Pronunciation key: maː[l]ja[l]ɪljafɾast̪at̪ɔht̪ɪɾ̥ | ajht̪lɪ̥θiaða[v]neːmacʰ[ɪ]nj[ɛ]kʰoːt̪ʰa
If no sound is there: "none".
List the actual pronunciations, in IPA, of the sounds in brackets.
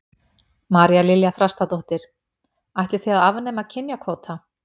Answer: ɾ, l, v, ɪ, a

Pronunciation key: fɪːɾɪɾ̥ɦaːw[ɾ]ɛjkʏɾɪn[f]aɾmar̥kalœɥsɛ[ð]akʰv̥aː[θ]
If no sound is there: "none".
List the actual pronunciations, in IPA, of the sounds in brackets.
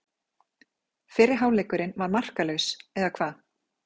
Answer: l, v, ð, ð

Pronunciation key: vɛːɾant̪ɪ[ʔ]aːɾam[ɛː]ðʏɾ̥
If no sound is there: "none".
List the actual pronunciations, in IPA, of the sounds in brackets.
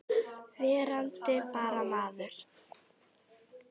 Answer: p, aː

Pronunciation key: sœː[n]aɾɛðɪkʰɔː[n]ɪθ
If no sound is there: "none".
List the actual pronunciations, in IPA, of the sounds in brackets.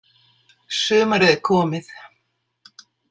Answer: m, m

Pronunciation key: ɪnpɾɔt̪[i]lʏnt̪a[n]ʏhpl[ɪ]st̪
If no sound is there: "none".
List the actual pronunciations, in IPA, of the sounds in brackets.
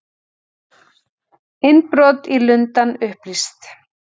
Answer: i, n, i

